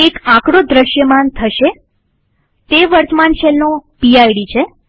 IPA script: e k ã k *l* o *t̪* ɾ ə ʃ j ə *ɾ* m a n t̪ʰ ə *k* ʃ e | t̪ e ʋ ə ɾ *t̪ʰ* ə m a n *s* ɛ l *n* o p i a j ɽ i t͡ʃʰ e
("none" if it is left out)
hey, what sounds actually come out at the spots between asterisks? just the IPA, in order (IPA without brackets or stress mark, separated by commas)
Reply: ɽ, d̪, none, none, t̪, ʃ, n